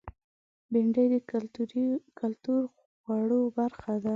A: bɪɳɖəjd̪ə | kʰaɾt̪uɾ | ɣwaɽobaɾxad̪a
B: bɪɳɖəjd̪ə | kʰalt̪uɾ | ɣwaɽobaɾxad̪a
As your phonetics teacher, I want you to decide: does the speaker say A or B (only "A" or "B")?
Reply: B